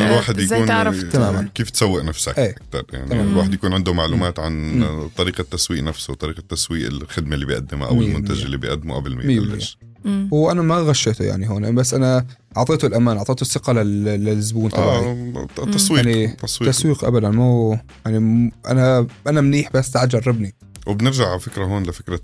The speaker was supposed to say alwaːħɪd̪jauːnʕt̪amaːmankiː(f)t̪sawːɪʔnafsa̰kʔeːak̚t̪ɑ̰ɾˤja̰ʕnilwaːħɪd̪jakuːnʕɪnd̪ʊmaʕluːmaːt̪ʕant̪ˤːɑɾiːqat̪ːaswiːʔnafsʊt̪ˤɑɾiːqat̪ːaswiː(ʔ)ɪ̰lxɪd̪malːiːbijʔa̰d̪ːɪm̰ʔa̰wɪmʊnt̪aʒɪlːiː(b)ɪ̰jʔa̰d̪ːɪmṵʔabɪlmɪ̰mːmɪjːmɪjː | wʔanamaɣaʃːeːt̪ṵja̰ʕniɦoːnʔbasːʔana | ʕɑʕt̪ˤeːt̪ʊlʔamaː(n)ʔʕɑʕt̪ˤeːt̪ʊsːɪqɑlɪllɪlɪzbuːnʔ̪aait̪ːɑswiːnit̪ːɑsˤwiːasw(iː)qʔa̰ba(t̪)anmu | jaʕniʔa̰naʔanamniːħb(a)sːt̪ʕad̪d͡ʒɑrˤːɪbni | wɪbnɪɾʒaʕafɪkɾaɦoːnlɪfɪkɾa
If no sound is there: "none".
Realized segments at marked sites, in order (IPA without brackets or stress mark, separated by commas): f, ʔ, b, n, iː, d̪, a